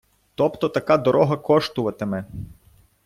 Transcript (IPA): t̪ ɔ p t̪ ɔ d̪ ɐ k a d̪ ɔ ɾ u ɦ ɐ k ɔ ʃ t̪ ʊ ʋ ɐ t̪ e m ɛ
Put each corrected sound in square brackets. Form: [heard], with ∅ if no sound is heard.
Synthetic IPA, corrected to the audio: t̪ ɔ p t̪ ɔ [t̪] ɐ k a d̪ ɔ ɾ [ɔ] ɦ ɐ k ɔ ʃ t̪ ʊ ʋ ɐ t̪ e m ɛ